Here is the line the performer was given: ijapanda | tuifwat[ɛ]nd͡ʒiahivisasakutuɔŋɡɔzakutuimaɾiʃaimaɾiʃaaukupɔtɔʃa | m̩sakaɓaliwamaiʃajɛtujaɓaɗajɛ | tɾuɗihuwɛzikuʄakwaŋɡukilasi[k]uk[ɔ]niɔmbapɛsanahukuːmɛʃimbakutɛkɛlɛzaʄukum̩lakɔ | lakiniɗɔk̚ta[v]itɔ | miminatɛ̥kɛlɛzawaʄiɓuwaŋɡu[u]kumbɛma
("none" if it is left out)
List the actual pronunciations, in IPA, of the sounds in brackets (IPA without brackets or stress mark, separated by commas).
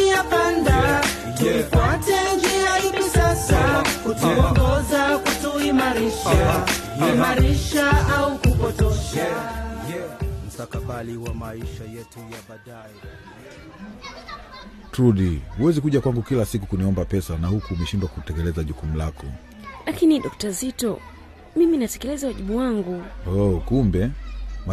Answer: ɛ, k, u, z, ɔ